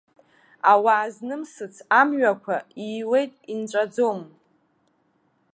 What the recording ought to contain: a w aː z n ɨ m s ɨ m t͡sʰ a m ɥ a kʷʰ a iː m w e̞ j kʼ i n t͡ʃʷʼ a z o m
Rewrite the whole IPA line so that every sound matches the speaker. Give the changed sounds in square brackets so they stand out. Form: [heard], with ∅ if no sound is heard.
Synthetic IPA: a w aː z n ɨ m s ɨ [∅] t͡sʰ a m ɥ a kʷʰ a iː [∅] w e̞ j [tʼ] i n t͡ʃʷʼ a [d͡z] o m